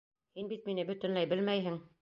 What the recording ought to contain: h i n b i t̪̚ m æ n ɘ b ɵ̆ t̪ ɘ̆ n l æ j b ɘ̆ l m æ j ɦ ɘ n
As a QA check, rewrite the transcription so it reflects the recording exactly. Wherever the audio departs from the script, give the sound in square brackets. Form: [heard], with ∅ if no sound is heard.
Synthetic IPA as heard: h i n b i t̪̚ m [i] n ɘ b ɵ̆ t̪ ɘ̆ n l æ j b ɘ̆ l m æ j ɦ ɘ [ŋ]

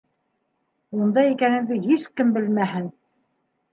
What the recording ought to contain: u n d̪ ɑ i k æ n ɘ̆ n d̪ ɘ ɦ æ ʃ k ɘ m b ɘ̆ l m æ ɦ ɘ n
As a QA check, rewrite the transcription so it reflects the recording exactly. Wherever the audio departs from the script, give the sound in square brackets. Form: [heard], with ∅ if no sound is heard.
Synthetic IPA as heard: u n d̪ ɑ i k æ n ɘ̆ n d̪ ɘ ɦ [i] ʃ k ɘ m b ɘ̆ l m æ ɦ ɘ n

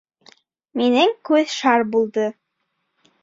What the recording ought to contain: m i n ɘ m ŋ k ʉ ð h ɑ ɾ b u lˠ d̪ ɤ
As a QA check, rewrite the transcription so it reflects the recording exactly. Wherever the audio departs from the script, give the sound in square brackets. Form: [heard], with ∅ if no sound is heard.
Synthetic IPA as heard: m i n ɘ [∅] ŋ k ʉ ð [ʃ] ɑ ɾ b u lˠ d̪ ɤ

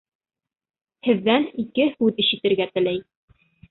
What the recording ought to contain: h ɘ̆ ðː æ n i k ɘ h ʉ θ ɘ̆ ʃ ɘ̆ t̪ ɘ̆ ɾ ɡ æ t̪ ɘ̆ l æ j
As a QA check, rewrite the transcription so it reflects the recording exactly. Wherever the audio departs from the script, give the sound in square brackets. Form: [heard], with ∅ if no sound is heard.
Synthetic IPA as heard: h ɘ̆ ðː æ n i k ɘ h ʉ [ð] ɘ̆ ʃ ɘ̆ t̪ ɘ̆ ɾ ɡ æ t̪ ɘ̆ l æ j

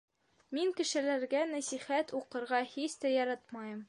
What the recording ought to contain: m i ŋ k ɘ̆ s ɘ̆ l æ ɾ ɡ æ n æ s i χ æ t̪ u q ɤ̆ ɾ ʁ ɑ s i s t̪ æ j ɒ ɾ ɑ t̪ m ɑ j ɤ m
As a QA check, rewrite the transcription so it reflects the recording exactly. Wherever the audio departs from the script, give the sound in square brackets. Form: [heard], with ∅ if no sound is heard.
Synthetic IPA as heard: m i ŋ k ɘ̆ [ʃ] ɘ̆ l æ ɾ ɡ æ n æ s i χ æ t̪ u q ɤ̆ ɾ ʁ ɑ [h] i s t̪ æ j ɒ ɾ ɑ t̪ m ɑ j ɤ m

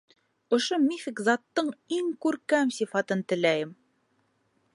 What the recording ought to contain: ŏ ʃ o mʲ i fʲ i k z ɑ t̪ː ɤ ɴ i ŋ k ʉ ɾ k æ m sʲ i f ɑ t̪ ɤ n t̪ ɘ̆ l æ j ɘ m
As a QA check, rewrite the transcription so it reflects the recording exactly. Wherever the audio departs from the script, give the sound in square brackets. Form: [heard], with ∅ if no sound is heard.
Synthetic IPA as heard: ŏ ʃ o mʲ i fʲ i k z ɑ t̪ː ɤ ɴ i ŋ k ʉ ɾ k æ m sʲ i f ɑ t̪ ɤ n t̪ ɘ̆ l æ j ɘ m

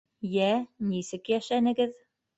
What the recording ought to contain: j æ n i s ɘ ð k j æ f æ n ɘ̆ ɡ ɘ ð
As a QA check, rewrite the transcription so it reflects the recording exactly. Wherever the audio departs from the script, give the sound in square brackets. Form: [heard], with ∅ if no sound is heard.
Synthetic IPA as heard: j æ n i s ɘ [∅] k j æ [ʃ] æ n ɘ̆ ɡ ɘ ð

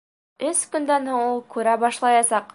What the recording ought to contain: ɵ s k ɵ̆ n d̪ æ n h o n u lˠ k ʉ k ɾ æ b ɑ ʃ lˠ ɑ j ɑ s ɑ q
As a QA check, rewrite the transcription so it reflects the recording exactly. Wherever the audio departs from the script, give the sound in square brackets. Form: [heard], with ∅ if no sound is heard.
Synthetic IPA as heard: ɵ s k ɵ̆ n d̪ æ n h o [ɴ] u lˠ k ʉ [∅] ɾ æ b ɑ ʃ lˠ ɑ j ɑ s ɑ q

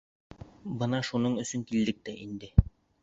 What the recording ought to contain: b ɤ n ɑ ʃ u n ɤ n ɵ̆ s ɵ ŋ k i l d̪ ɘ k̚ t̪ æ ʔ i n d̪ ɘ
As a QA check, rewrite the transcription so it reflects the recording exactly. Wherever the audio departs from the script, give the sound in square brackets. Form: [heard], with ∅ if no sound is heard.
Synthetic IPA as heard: b ɤ n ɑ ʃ u n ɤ [ɴ] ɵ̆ s ɵ ŋ k i l d̪ ɘ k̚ t̪ æ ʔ i n d̪ ɘ

